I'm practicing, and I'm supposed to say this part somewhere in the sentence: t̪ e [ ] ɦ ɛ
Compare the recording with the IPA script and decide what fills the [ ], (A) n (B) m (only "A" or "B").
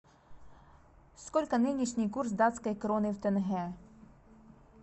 A